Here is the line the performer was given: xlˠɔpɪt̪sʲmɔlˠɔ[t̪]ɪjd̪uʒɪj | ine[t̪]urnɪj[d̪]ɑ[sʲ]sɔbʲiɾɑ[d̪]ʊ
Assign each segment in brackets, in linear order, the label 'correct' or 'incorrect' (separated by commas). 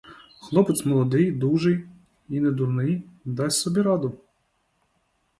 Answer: incorrect, incorrect, correct, correct, correct